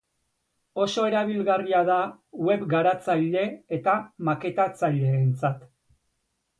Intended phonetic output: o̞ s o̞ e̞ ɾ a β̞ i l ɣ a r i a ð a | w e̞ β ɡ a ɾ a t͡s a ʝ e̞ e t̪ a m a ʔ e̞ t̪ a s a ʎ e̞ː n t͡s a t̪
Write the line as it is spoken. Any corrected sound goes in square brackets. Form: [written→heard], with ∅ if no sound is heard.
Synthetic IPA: o̞ s o̞ e̞ ɾ a β̞ i l ɣ a r i a ð a | w e̞ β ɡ a ɾ a t͡s a [ʝ→ʎ] e̞ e t̪ a m a [ʔ→k] e̞ t̪ a [s→t͡s] a ʎ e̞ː n t͡s a t̪